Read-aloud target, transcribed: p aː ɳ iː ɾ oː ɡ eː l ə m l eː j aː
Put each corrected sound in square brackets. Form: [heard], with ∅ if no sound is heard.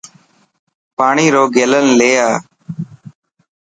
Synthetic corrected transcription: p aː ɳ iː ɾ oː ɡ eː l ə [n] l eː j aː